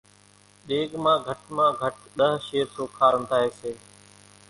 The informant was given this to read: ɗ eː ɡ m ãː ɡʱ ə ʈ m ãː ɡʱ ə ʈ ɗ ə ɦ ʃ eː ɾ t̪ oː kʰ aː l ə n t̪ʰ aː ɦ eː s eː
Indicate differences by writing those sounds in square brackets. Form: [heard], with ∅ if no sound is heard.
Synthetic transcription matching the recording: ɗ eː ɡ m ãː ɡʱ ə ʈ m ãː ɡʱ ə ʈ ɗ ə ɦ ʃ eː ɾ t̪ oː kʰ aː [ɾ] ə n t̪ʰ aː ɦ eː s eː